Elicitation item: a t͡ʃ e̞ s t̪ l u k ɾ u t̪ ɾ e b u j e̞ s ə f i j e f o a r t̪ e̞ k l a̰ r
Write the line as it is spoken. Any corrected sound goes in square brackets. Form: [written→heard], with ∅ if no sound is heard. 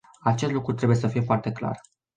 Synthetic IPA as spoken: a t͡ʃ e̞ s t̪ l u k ɾ u t̪ ɾ e b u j e̞ s ə f i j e f o a r t̪ e̞ k l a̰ r